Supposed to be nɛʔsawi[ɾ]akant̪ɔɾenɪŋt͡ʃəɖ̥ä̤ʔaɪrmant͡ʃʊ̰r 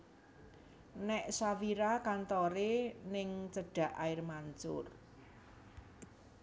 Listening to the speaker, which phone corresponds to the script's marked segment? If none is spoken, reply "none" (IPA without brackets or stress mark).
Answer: ɾ